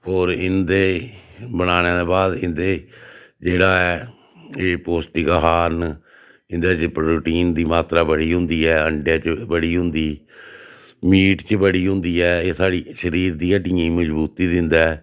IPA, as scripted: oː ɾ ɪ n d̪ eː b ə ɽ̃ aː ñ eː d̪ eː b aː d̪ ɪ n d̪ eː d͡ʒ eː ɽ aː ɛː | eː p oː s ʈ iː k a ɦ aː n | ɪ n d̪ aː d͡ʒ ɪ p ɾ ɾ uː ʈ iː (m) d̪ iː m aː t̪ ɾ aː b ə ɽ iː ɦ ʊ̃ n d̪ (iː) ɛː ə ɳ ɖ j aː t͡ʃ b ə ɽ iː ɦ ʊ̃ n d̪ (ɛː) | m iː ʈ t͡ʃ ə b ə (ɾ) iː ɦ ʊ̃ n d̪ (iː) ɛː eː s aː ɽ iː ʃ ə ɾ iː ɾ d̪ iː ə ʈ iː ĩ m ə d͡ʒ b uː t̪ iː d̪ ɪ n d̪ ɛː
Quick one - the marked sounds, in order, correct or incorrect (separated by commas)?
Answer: incorrect, correct, incorrect, incorrect, correct